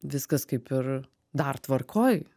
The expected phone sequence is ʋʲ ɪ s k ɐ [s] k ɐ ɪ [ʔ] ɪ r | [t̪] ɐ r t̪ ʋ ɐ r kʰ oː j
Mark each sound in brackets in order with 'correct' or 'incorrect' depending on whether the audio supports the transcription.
correct, incorrect: p, incorrect: d̪

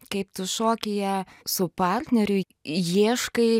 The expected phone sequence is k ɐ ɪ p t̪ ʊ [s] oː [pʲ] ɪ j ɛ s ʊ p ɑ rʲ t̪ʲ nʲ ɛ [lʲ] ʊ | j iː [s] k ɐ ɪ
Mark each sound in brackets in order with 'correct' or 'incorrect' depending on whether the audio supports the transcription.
incorrect: ʃ, incorrect: kʲ, incorrect: ɾʲ, incorrect: ʃ

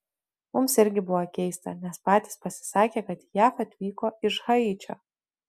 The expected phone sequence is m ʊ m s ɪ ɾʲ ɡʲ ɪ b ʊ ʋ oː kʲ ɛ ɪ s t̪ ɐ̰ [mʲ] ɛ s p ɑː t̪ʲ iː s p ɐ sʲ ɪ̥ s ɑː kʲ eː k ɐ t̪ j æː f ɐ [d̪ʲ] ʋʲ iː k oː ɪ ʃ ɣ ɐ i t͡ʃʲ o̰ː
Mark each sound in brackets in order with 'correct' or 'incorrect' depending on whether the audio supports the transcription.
incorrect: nʲ, incorrect: t̪ʲ

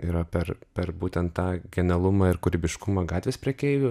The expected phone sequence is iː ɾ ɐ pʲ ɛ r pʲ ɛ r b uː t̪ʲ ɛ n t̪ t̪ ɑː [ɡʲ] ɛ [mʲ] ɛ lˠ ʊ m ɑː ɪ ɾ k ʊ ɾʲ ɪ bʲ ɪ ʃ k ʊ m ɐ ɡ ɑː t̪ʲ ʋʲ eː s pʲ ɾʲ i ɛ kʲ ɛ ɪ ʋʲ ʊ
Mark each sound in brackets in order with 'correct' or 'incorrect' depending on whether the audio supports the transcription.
correct, incorrect: nʲ

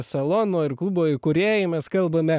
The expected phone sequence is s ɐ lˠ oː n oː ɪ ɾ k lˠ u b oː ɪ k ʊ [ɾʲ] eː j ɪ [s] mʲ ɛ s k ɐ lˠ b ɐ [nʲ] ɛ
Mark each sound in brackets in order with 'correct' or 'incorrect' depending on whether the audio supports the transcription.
correct, incorrect: none, incorrect: mʲ

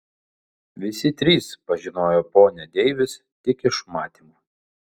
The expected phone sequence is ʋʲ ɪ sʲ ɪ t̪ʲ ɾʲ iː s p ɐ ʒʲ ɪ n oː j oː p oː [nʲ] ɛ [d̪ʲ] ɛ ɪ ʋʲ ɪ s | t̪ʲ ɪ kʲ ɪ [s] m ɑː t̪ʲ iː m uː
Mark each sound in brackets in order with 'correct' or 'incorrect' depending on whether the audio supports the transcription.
correct, correct, incorrect: ʃ

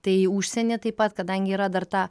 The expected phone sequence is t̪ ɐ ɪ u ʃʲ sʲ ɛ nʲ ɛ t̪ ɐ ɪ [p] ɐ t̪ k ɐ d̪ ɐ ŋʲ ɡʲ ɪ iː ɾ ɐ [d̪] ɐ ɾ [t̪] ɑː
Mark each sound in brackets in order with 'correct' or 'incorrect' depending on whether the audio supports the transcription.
correct, correct, correct

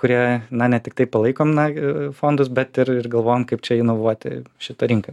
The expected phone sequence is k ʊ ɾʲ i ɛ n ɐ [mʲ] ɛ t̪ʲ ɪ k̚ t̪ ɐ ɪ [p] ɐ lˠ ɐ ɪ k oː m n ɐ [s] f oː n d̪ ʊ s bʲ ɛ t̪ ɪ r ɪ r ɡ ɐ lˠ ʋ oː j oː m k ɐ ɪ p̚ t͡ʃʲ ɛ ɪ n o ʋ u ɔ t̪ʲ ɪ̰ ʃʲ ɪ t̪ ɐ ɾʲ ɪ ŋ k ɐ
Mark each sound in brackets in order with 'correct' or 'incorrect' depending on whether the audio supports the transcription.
incorrect: nʲ, correct, incorrect: none

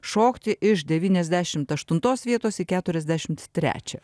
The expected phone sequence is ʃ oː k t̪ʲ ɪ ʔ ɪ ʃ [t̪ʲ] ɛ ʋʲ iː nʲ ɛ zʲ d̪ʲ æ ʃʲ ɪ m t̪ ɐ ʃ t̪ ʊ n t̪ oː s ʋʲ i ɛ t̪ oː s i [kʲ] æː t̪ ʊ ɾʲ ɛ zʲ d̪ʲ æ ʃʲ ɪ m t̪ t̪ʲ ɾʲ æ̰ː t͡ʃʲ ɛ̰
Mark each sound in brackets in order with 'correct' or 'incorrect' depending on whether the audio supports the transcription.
incorrect: d̪ʲ, correct

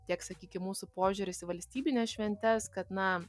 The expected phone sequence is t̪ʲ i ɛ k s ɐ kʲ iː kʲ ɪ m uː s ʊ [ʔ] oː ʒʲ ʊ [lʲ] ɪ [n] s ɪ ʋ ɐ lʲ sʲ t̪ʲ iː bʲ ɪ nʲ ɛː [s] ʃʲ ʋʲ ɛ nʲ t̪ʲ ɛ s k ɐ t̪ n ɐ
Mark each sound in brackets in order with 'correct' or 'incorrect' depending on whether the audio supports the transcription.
incorrect: p, incorrect: ɾʲ, incorrect: none, correct

